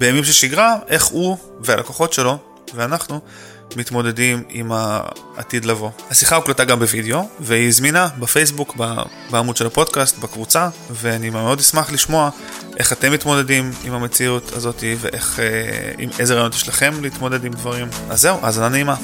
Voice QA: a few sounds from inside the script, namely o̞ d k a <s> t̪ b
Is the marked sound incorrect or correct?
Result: correct